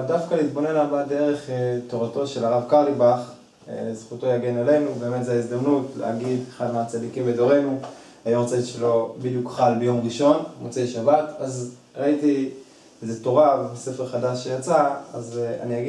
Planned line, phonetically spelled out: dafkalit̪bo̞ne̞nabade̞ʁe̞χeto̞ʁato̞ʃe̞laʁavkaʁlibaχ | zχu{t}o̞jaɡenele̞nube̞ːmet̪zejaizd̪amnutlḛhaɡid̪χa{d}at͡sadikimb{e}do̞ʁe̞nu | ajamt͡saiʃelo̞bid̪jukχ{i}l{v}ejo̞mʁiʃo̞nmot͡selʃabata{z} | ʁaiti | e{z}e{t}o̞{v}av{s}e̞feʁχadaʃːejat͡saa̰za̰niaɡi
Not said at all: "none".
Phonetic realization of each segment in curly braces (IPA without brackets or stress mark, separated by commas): t, n, e, a, b, z, z, t, ʁ, s